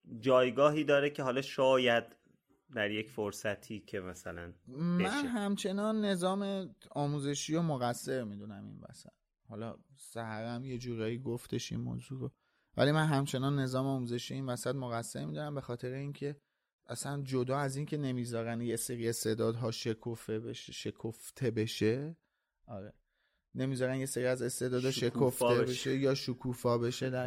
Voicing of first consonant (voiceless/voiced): voiced